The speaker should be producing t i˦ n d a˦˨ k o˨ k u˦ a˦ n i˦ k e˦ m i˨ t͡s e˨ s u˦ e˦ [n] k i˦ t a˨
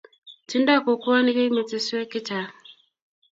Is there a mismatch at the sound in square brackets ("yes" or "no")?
yes